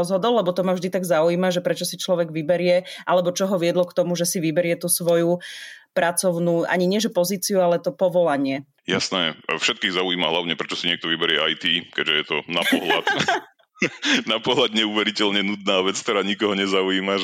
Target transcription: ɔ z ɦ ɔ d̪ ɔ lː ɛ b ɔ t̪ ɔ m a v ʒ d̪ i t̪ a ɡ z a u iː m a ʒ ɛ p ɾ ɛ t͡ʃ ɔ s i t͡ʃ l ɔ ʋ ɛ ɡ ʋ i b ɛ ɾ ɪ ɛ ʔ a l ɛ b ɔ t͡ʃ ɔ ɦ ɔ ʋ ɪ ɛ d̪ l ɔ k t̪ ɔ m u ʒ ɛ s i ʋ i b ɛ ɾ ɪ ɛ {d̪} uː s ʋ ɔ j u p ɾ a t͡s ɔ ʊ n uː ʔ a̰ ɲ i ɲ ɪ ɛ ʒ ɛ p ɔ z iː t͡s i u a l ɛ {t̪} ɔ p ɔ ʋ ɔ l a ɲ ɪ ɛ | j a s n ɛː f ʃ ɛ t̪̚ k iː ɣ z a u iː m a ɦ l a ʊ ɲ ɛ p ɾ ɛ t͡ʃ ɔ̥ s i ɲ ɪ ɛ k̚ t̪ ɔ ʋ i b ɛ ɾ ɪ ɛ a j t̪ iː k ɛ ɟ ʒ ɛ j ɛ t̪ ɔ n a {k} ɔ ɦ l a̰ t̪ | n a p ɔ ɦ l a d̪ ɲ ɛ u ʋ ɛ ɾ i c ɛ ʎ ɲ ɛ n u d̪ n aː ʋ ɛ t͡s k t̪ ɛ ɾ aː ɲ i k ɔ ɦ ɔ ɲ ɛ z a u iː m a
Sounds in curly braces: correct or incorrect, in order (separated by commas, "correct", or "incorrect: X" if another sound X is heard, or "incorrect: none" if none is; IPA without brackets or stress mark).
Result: incorrect: t̪, correct, incorrect: p